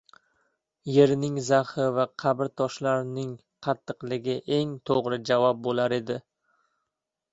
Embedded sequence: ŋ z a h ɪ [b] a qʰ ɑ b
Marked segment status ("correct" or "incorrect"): incorrect